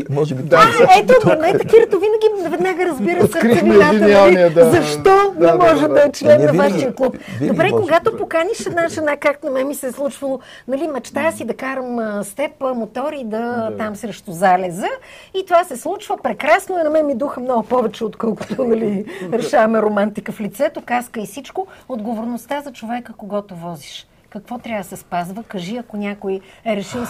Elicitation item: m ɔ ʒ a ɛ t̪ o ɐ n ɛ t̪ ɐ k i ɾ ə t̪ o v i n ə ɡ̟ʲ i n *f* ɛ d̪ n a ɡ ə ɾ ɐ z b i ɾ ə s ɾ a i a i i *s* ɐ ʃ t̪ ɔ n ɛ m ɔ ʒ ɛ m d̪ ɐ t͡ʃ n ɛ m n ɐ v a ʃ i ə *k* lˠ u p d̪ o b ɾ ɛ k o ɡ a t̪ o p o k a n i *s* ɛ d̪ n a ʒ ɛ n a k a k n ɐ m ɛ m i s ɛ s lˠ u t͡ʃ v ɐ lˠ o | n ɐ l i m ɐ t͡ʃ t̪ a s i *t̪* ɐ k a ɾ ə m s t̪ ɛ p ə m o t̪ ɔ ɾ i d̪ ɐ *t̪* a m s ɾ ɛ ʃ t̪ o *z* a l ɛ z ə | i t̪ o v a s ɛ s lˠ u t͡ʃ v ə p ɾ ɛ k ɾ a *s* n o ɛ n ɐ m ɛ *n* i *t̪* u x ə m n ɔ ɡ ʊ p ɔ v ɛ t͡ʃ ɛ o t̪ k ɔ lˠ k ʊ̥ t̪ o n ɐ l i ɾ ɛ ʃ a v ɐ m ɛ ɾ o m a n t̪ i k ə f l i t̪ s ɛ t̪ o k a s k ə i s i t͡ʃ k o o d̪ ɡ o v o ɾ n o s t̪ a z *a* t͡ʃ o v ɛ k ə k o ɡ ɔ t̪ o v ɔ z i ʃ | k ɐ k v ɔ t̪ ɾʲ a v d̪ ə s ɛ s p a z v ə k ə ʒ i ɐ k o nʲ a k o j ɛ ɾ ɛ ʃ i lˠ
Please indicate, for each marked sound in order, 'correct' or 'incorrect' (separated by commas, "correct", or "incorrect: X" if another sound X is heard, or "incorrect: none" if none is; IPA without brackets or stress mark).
incorrect: v, incorrect: z, correct, incorrect: ʃ, incorrect: d̪, correct, correct, correct, incorrect: m, incorrect: d̪, incorrect: ɐ